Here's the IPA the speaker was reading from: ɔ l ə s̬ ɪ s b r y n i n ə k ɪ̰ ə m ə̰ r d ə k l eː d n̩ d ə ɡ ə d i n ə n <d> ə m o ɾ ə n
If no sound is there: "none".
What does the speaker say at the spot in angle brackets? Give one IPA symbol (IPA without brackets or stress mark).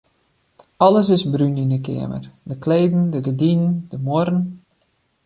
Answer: d